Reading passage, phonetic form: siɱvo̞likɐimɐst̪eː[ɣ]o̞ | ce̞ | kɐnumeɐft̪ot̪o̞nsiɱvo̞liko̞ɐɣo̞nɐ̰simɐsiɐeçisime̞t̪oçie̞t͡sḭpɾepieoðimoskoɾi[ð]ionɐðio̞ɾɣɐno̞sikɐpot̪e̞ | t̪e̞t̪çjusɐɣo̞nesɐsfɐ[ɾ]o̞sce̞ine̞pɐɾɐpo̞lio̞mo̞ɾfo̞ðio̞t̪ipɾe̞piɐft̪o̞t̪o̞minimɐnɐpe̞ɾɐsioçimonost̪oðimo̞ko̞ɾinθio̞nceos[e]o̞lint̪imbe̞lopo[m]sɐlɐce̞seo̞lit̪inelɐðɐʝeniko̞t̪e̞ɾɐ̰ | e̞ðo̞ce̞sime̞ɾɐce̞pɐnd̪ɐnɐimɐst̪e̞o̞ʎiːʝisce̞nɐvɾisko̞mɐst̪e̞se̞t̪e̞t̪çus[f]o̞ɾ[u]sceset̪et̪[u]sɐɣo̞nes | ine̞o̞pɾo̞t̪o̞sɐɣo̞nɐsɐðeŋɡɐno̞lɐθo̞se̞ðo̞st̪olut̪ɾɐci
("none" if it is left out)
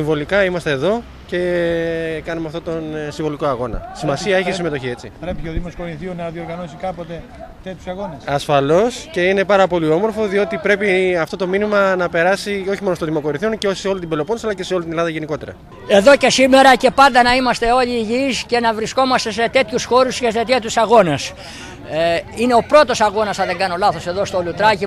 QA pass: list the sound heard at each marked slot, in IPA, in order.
ð, θ, l, e, n, x, u, u

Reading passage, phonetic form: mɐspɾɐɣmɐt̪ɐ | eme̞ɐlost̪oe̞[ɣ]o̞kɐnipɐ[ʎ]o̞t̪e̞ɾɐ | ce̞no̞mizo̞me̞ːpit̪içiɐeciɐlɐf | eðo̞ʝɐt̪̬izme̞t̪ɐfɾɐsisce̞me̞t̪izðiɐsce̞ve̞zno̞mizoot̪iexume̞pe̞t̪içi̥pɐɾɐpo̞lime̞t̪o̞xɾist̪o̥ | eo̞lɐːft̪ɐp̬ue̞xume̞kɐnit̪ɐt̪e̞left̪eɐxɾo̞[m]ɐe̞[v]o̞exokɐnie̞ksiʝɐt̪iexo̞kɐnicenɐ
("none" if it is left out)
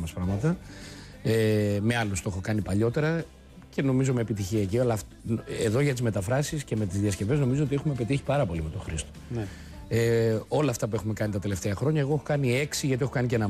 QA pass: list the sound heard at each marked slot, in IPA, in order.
x, ʎ, ɲ, ɣ

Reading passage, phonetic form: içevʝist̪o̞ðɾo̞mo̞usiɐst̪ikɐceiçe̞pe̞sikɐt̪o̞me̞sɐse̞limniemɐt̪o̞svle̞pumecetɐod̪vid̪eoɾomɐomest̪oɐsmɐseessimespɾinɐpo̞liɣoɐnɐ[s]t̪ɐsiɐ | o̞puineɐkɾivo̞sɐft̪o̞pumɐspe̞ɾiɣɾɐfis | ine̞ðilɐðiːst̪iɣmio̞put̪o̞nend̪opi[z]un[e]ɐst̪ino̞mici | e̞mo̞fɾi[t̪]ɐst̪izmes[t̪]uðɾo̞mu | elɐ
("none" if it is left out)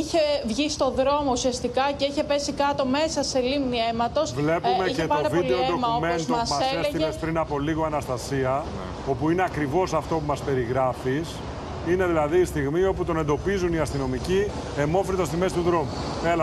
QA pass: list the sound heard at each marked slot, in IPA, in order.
s, z, i, t̪, t̪

